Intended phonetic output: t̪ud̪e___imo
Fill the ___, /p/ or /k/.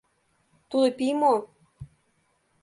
p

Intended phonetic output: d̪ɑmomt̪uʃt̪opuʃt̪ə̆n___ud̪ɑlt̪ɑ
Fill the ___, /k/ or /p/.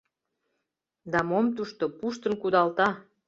k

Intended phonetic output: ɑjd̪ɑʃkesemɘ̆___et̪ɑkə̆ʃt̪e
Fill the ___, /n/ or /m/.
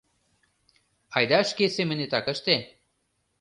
n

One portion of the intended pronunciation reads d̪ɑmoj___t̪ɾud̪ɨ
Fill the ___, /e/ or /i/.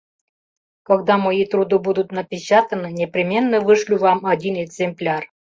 i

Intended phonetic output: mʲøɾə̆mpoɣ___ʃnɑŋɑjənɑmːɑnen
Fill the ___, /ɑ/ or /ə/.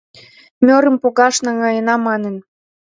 ɑ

